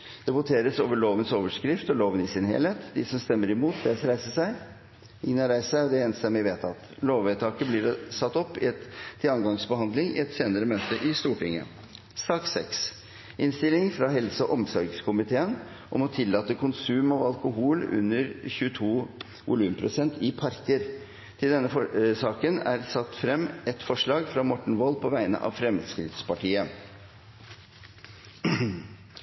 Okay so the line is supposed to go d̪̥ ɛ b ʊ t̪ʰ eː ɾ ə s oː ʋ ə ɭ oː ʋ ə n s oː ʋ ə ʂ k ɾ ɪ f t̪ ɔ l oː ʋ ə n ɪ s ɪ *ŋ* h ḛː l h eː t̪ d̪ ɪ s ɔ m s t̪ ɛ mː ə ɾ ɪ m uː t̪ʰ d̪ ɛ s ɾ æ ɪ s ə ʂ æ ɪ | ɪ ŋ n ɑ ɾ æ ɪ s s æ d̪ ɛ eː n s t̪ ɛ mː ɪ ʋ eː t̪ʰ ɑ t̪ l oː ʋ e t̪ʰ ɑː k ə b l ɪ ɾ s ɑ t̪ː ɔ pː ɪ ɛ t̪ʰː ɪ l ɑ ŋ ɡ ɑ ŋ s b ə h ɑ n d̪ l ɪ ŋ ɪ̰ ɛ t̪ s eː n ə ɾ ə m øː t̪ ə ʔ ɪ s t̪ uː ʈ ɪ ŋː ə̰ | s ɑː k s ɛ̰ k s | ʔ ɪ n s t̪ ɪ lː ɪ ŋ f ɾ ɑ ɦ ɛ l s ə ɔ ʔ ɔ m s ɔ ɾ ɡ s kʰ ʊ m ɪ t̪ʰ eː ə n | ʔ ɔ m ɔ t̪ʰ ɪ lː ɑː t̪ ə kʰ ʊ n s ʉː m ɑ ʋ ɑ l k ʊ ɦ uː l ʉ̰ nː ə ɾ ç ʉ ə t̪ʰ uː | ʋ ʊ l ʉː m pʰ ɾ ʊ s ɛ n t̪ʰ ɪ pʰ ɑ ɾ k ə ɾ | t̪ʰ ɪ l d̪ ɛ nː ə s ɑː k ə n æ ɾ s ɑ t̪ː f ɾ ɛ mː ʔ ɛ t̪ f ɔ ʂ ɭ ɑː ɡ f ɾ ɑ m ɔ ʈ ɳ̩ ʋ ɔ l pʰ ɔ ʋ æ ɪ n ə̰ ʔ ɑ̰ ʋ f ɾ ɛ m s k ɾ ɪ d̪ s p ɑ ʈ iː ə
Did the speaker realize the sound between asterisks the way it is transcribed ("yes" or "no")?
no